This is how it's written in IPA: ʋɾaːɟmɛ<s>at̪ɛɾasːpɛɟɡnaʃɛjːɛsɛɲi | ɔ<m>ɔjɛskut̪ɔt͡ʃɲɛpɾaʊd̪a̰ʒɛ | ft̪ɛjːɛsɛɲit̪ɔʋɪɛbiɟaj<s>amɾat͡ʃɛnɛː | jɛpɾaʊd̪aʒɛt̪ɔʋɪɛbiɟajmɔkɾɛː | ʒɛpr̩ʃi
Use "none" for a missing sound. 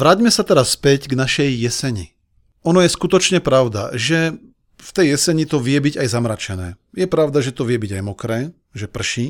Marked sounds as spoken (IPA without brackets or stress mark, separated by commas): s, n, z